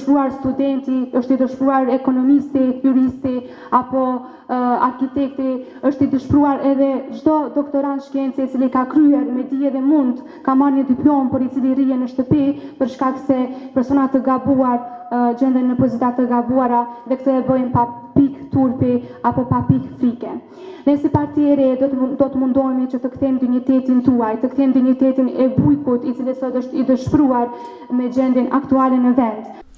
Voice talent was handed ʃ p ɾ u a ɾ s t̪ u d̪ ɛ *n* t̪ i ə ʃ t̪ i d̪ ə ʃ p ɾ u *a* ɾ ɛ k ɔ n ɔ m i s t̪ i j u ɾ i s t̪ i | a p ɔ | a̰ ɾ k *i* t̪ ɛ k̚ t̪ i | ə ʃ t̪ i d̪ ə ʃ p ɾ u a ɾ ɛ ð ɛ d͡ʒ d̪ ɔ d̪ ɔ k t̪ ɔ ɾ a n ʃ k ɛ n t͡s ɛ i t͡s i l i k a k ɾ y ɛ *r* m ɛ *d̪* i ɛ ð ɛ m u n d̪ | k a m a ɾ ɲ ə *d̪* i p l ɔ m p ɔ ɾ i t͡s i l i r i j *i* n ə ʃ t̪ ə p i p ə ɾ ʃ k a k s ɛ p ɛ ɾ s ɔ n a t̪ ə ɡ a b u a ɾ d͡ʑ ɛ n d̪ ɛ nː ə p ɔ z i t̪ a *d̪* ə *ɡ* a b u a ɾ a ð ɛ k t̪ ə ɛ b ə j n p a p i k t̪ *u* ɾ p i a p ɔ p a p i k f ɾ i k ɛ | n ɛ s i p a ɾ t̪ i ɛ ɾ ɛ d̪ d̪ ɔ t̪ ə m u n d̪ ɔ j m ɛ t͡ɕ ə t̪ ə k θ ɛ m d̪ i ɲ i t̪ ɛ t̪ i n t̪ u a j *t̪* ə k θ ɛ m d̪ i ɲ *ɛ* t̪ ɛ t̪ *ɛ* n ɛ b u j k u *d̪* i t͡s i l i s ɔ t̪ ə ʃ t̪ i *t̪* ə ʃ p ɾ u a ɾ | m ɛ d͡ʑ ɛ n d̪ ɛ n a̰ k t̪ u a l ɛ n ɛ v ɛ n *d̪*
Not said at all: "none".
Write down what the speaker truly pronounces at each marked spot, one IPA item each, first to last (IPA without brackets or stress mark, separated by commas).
n, a, i, ɾ, d̪, d̪, ɛ, t̪, ɡ, u, t̪, i, i, t̪, d̪, d̪